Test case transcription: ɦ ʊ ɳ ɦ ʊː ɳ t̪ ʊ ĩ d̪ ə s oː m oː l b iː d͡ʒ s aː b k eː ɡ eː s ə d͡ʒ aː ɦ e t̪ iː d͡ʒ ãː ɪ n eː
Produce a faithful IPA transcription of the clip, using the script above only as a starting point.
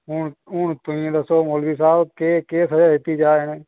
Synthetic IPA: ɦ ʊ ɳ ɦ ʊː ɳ t̪ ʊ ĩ d̪ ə s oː m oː l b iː s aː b k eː k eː s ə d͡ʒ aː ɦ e t̪ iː d͡ʒ aː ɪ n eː